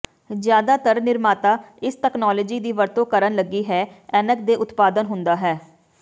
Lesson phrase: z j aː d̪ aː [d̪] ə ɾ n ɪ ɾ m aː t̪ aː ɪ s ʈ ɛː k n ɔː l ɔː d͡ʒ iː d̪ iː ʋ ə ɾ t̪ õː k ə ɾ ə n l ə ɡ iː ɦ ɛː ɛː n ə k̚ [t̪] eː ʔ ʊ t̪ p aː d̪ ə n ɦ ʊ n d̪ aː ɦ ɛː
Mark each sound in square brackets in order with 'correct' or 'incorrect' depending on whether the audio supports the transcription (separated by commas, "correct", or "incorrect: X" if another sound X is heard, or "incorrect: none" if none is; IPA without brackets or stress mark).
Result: incorrect: t̪, incorrect: d̪